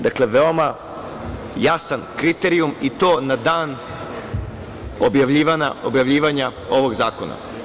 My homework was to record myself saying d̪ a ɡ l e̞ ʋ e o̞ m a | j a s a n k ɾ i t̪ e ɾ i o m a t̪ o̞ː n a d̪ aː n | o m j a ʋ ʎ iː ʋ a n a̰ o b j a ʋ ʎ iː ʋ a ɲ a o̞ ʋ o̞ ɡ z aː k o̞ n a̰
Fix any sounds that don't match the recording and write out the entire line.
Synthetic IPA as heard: d̪ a k l e̞ ʋ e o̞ m a | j a s a n k ɾ i t̪ e ɾ i u m i t̪ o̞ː n a d̪ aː n | o b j a ʋ ʎ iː ʋ a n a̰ o b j a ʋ ʎ iː ʋ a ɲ a o̞ ʋ o̞ ɡ z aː k o̞ n a̰